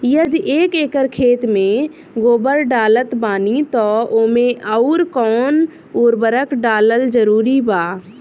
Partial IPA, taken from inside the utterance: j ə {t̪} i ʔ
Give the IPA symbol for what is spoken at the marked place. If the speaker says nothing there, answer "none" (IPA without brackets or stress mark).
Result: d̪